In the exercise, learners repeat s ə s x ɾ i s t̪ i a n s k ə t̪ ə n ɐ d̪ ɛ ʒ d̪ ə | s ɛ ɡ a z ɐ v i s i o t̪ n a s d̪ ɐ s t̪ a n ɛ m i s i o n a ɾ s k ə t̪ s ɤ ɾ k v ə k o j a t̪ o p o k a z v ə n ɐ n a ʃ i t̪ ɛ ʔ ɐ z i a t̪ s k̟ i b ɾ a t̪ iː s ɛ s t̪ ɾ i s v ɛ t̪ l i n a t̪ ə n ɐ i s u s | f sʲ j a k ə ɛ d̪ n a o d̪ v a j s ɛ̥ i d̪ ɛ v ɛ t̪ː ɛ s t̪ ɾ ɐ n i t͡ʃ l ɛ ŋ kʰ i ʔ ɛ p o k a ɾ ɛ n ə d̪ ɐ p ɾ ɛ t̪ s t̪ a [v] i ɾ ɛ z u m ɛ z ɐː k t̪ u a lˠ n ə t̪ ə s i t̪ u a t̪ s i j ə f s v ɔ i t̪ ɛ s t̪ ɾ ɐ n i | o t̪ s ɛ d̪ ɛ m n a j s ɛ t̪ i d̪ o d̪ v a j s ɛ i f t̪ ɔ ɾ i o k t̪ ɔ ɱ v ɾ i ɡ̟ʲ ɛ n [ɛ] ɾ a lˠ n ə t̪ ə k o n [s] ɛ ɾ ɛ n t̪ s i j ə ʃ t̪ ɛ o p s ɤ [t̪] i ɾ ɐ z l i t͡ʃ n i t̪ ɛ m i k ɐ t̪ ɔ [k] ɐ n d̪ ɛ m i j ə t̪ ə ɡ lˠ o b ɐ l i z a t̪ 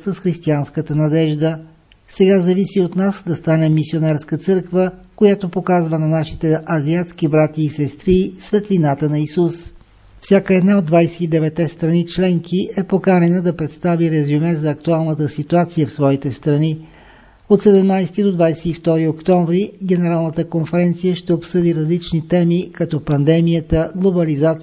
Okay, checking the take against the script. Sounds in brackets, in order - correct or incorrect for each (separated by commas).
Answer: correct, correct, incorrect, incorrect, incorrect